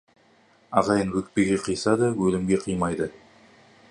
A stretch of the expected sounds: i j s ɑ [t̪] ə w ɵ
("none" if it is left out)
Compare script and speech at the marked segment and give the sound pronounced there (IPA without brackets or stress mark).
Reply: d̪